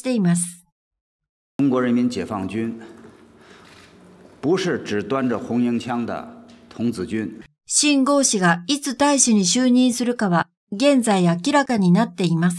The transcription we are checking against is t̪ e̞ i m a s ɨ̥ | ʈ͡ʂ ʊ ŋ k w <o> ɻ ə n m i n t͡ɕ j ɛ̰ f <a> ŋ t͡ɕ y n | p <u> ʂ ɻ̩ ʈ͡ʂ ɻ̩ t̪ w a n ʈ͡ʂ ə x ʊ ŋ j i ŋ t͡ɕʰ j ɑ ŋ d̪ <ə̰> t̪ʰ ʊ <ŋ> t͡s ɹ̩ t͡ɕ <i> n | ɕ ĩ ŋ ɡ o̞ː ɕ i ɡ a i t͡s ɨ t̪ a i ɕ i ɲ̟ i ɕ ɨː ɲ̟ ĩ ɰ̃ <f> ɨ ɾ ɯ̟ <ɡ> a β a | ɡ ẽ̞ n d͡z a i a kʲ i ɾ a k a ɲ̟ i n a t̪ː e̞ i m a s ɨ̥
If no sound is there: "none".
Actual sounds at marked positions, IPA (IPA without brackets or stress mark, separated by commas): ɔ, ɑ, u, ə̰, ŋ, y, s, k